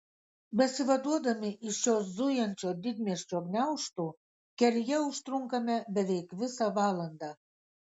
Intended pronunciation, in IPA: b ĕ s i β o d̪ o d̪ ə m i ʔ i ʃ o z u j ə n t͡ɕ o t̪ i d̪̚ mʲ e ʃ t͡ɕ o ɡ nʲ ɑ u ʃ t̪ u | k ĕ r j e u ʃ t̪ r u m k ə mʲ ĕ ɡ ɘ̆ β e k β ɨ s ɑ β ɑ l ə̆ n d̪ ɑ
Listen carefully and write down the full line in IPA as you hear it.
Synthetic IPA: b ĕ s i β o d̪ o d̪ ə m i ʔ i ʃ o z u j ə n t͡ɕ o d̪ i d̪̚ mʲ e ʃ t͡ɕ o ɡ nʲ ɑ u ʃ t̪ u | k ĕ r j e u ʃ t̪ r u ŋ k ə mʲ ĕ b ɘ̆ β e k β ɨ s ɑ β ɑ l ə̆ n d̪ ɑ